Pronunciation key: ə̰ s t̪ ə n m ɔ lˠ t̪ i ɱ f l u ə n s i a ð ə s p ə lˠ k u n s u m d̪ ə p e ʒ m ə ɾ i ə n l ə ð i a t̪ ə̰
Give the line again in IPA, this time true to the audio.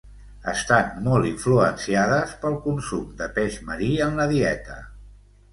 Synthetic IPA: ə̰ s t̪ a n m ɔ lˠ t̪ i ɱ f l u ə n s i a ð ə s p ə lˠ k u n s u m d̪ ə p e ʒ m ə ɾ i ə n l ə ð i ɛ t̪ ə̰